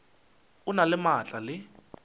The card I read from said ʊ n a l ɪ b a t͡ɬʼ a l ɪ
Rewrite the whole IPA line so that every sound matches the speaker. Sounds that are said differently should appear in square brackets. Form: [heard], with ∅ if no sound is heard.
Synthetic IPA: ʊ n a l ɪ [m] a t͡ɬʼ a l ɪ